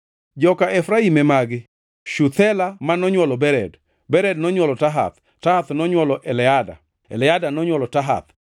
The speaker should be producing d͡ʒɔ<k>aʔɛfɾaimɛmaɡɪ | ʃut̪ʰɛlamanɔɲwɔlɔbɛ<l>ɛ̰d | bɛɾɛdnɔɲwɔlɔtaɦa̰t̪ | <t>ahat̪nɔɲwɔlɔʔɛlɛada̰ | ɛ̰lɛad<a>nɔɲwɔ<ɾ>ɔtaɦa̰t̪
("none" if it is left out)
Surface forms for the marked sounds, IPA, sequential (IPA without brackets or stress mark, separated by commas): k, ɾ, t, a, l